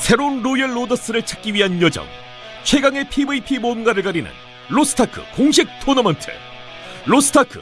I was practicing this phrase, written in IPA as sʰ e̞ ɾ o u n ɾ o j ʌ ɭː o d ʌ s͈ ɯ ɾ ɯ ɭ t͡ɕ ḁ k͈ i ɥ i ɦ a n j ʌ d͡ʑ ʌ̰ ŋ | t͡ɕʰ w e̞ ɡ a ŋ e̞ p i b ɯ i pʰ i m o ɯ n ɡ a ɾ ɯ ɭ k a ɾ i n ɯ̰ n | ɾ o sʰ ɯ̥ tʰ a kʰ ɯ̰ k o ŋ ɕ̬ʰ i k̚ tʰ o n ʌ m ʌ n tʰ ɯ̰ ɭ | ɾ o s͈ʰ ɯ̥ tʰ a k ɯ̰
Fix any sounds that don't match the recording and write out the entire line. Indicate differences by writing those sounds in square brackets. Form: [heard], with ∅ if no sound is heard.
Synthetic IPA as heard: sʰ e̞ ɾ o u n ɾ o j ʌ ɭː o d ʌ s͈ ɯ ɾ ɯ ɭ [t͡ɕʰ] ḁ k͈ i ɥ i ɦ a n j ʌ d͡ʑ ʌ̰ ŋ | t͡ɕʰ w e̞ ɡ a ŋ e̞ [pʰ] i b ɯ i pʰ i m o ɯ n ɡ a ɾ ɯ ɭ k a ɾ i n ɯ̰ n | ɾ o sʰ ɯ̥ tʰ a kʰ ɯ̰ k o ŋ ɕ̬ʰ i k̚ tʰ o n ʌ m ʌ n tʰ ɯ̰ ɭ | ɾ o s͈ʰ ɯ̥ tʰ a [kʰ] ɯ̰

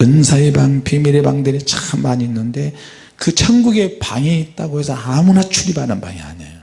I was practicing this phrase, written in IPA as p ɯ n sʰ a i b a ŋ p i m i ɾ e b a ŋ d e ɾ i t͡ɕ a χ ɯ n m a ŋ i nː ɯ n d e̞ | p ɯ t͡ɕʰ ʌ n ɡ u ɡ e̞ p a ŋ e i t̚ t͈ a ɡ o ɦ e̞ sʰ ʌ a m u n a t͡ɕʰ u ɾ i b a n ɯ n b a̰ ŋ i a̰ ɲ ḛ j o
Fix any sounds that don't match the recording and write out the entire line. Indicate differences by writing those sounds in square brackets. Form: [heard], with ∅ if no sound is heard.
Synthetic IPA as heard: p ɯ n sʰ a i b a ŋ p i m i ɾ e b a ŋ d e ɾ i t͡ɕ a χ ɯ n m a [ɲ] i nː ɯ n d e̞ | [k] ɯ t͡ɕʰ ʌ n ɡ u ɡ e̞ p a ŋ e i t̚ t͈ a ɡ o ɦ e̞ sʰ ʌ a m u n a t͡ɕʰ u ɾ i b a n ɯ n b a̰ ŋ i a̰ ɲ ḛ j o

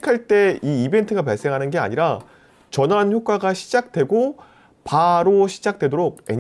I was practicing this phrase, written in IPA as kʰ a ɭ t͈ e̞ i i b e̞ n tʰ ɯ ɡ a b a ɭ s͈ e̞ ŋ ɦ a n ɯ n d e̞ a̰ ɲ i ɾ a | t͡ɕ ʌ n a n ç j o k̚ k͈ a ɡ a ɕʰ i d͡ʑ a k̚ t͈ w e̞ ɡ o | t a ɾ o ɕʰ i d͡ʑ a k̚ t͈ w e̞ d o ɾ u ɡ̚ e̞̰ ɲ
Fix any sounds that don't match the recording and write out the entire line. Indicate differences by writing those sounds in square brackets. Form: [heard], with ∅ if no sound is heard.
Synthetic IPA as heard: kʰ a ɭ t͈ e̞ i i b e̞ n tʰ ɯ ɡ a [p] a ɭ s͈ e̞ ŋ ɦ a n ɯ n [ɡ] e̞ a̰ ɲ i ɾ a | t͡ɕ ʌ n a n ç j o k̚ k͈ a ɡ a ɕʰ i d͡ʑ a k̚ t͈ w e̞ ɡ o | [p] a ɾ o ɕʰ i d͡ʑ a k̚ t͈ w e̞ d o ɾ [o] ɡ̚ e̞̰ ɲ

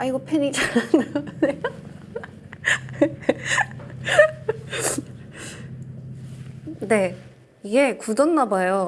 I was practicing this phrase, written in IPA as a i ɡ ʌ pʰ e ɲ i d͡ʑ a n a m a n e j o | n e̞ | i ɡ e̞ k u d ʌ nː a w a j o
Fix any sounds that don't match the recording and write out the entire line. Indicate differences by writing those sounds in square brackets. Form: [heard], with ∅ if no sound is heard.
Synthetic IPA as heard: a i ɡ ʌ pʰ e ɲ i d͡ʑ a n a [n] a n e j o | n e̞ | i ɡ e̞ k u d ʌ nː a [b] a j o

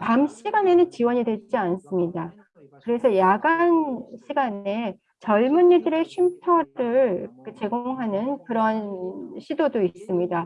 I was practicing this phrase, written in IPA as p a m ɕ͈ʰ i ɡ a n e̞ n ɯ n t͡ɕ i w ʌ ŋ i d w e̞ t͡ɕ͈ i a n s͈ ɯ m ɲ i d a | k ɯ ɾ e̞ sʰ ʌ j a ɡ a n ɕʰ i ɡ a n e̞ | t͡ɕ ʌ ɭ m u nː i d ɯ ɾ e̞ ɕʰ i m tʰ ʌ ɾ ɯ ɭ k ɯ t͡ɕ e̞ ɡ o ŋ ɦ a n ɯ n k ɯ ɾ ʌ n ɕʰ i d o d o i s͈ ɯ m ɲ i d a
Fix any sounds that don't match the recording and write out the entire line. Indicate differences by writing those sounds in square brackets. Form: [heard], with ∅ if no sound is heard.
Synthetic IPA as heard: p a m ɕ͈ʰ i ɡ a n e̞ n ɯ n t͡ɕ i w ʌ [ɲ] i d w e̞ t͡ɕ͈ i a n s͈ ɯ m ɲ i d a | k ɯ ɾ e̞ sʰ ʌ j a ɡ a n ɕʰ i ɡ a n e̞ | t͡ɕ ʌ ɭ m u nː i d ɯ ɾ e̞ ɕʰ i m tʰ ʌ ɾ ɯ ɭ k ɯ t͡ɕ e̞ ɡ o ŋ ɦ a n ɯ n k ɯ ɾ ʌ n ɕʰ i d o d o i s͈ ɯ m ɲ i d a

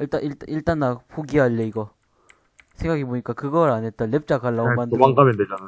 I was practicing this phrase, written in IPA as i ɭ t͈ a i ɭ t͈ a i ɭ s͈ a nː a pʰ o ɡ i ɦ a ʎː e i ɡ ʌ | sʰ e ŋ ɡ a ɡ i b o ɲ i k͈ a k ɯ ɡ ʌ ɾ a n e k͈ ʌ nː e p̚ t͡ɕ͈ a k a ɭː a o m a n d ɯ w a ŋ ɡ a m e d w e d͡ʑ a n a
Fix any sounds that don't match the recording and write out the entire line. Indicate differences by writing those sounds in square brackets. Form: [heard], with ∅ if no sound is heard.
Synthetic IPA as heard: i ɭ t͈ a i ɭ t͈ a i ɭ [t͈] a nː a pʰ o ɡ i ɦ a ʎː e i ɡ ʌ | sʰ e ŋ ɡ a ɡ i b o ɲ i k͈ a k ɯ ɡ ʌ ɾ a n e [t͈] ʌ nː e p̚ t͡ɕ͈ a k a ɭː a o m a n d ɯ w a ŋ ɡ a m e d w e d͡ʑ a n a

